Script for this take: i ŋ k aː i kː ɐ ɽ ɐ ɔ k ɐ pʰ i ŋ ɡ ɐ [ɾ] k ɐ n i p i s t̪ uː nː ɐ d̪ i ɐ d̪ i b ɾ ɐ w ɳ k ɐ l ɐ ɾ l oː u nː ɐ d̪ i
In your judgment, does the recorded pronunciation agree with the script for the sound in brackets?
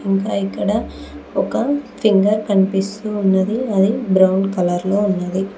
yes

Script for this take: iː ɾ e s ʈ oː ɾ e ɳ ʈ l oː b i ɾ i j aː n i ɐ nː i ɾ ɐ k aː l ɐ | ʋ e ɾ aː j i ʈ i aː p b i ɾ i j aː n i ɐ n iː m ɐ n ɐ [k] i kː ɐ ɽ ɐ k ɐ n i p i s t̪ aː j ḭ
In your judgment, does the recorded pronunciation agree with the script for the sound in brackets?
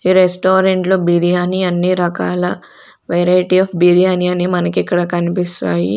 yes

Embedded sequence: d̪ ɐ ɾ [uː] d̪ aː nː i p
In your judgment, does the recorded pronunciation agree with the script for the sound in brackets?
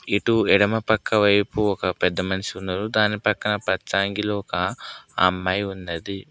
no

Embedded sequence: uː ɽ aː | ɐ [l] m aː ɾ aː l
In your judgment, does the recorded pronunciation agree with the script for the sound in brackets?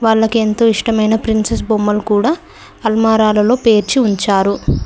yes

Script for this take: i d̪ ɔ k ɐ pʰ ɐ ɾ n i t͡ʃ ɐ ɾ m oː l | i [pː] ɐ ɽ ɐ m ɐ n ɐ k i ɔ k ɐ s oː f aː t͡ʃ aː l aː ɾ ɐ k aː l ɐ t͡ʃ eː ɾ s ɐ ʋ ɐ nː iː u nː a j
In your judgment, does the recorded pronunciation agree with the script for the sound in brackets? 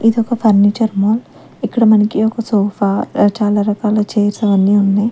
no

